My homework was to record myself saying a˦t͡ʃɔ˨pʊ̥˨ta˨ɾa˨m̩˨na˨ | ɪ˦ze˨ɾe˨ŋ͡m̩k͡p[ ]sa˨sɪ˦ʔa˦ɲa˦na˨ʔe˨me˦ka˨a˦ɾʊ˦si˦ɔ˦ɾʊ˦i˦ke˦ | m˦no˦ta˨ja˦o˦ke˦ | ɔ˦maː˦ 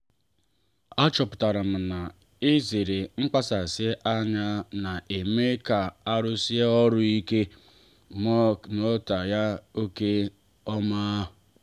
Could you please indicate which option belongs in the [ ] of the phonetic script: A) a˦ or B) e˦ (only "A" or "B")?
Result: A